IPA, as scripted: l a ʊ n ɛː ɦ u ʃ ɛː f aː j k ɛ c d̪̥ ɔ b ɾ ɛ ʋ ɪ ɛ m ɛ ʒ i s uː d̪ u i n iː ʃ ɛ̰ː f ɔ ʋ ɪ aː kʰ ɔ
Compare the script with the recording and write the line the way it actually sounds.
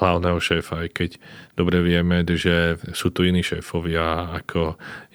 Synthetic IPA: l a ʊ n ɛː ɦ ɔ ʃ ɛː f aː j k ɛ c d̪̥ ɔ b ɾ ɛ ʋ ɪ ɛ m ɛ ʒ ɛ s uː t̪ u i n iː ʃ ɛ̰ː f ɔ ʋ ɪ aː kʰ ɔ